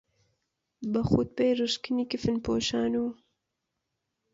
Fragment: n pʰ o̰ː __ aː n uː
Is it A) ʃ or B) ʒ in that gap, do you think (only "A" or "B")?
A